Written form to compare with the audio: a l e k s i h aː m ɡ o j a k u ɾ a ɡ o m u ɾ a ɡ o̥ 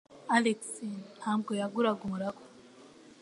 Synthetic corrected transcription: a l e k s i h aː m ɡ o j a ɡ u ɾ a ɡ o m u ɾ a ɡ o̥